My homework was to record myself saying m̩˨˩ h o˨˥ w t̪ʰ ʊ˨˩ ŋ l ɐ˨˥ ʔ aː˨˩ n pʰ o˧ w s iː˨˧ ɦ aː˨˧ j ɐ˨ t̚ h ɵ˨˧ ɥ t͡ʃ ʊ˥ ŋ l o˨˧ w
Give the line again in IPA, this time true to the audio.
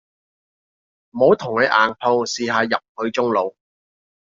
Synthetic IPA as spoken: m̩˨˩ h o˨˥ w t̪ʰ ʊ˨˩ ŋ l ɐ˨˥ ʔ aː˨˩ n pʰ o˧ w s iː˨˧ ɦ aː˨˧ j ɐ˨ p̚ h ɵ˨˧ ɥ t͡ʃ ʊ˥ ŋ l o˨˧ w

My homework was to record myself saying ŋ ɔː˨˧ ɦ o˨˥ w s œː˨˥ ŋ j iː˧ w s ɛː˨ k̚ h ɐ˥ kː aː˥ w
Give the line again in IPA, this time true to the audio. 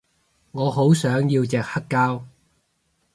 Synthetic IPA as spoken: ŋ ɔː˨˧ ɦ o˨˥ w s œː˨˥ ŋ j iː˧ w t͡s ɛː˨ k̚ h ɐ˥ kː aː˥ w

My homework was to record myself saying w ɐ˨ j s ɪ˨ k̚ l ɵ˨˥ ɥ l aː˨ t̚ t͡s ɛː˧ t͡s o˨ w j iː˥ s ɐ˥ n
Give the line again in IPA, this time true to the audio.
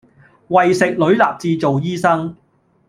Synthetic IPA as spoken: w ɐ˨ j s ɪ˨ k̚ l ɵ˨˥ ɥ l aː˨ p̚ t͡s iː˧ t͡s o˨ w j iː˥ s ɐ˥ ŋ

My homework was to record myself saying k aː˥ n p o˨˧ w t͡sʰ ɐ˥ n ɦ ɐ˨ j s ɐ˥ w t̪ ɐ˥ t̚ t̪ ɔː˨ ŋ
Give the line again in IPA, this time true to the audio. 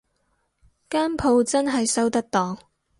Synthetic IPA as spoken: k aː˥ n pʰ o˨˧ w t͡s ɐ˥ n ɦ ɐ˨ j s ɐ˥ w t̪ ɐ˥ k̚ t̪ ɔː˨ ŋ

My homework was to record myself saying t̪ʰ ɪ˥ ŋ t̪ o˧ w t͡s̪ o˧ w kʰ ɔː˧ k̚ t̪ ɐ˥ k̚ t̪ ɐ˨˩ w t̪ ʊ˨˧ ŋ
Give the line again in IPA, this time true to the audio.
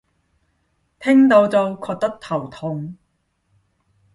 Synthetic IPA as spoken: t̪ʰ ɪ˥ ŋ t̪ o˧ w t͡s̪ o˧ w kʰ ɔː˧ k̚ t̪ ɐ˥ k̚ t̪ʰ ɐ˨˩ w t̪ʰ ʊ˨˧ ŋ

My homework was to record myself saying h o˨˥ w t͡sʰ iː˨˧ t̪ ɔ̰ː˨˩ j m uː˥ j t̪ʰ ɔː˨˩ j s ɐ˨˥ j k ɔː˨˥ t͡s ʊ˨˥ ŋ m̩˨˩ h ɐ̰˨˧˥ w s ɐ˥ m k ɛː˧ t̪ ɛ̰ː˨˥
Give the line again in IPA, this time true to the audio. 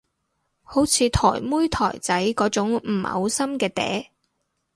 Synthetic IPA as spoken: h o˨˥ w t͡sʰ iː˨˧ t̪ʰ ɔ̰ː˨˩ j m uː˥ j t̪ʰ ɔː˨˩ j t͡s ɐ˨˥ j k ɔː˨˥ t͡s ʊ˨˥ ŋ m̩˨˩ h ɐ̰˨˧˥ w s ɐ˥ m k ɛː˧ t̪ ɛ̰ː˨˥

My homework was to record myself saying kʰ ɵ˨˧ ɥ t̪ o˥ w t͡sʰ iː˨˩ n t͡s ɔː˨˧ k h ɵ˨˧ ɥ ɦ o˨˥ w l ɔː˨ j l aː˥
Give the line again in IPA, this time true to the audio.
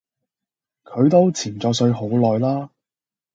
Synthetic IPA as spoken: kʰ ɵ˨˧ ɥ t̪ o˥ w t͡sʰ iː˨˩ n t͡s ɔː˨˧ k s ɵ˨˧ ɥ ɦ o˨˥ w l ɔː˨ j l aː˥

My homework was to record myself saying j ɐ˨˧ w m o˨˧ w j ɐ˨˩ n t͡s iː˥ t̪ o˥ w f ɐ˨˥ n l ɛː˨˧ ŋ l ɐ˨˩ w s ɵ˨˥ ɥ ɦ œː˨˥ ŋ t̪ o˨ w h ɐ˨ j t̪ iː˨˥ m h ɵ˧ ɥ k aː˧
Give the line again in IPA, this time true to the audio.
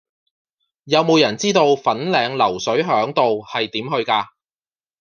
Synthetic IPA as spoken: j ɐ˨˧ w m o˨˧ w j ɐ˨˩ n t͡s iː˥ t̪ o˧ w f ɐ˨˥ n l ɛː˨˧ ŋ l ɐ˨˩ w s ɵ˨˥ ɥ ɦ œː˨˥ ŋ t̪ o˨ w h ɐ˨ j t̪ iː˨˥ m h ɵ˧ ɥ k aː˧

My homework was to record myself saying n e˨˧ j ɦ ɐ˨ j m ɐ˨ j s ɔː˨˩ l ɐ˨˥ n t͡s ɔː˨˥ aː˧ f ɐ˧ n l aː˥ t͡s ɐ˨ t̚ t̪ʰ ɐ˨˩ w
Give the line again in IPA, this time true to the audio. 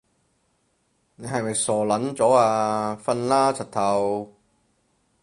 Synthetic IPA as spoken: n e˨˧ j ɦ ɐ˨ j m ɐ˨ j s ɔː˨˩ l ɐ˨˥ n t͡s ɔː˨˥ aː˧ f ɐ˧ n l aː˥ t͡sʰ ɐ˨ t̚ t̪ʰ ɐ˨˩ w

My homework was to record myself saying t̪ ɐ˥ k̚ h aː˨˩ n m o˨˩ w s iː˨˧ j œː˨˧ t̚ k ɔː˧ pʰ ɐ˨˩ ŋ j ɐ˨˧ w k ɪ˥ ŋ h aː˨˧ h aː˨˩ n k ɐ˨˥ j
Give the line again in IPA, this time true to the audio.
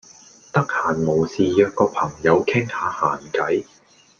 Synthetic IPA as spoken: t̪ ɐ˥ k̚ h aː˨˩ n m o˨˩ w s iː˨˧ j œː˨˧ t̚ k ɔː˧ pʰ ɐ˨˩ ŋ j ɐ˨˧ w kʰ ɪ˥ ŋ h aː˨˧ h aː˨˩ n k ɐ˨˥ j

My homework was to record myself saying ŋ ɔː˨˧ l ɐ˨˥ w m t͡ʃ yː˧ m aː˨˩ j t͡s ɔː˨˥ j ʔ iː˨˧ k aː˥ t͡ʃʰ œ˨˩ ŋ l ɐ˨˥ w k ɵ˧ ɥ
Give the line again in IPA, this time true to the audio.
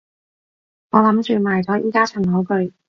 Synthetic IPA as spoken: ŋ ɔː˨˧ l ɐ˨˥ m t͡ʃ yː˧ m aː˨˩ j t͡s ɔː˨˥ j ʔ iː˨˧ k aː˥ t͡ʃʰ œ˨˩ ŋ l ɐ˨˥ w k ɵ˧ ɥ

